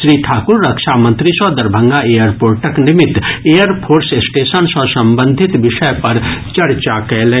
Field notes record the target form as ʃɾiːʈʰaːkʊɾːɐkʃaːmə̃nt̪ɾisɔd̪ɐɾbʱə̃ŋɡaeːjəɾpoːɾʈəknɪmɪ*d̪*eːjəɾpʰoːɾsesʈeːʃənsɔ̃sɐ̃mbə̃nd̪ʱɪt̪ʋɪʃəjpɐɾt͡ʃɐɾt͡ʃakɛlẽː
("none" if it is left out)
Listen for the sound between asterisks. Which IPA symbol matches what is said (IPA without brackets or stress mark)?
t̪